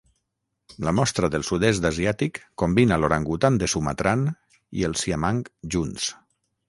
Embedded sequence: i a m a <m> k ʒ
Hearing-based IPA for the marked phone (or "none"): ŋ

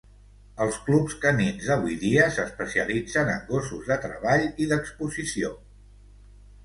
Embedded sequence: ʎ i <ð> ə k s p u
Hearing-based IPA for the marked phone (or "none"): ð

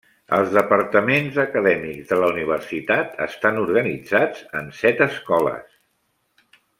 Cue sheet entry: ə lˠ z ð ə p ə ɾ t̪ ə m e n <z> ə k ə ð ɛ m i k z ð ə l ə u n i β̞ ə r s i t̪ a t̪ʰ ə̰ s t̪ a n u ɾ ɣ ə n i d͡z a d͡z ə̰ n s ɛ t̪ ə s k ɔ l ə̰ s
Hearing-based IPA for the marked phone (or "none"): z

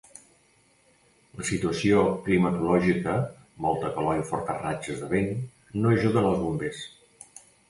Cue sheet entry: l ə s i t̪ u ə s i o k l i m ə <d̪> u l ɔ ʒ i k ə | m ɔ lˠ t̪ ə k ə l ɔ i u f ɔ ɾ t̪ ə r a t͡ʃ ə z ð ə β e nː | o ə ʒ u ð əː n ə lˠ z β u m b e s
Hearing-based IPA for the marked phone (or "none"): t̪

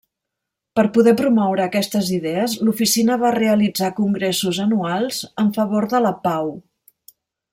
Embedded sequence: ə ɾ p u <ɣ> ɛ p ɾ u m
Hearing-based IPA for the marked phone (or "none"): ð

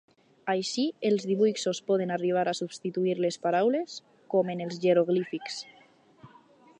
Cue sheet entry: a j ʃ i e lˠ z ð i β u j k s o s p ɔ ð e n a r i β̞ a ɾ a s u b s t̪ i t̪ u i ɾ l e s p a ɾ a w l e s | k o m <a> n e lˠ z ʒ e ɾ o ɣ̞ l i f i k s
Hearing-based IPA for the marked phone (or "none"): e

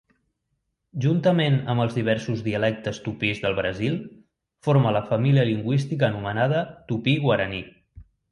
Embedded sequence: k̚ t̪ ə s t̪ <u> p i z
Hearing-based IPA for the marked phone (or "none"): u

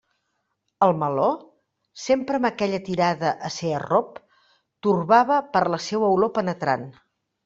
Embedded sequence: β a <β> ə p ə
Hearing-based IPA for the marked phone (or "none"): β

